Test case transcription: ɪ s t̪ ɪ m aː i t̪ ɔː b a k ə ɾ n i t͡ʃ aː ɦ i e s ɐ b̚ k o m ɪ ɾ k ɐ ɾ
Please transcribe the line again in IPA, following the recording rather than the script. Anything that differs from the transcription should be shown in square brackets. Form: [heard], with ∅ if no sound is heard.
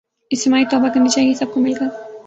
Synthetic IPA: ɪ s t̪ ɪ m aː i t̪ ɔː b a k [ɐ] ɾ n i t͡ʃ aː ɦ i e s ɐ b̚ k o m ɪ [l] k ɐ ɾ